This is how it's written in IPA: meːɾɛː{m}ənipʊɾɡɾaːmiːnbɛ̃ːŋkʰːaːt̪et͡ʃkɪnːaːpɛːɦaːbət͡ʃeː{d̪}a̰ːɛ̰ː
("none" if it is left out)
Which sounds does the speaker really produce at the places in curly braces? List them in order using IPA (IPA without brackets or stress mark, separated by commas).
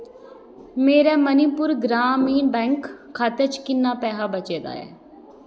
m, d̪